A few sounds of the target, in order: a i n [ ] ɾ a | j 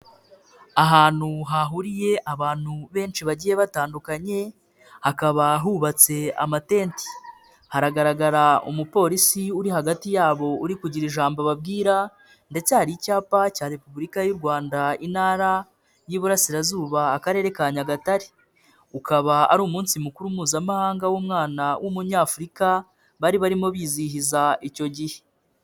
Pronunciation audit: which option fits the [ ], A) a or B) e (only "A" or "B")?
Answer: A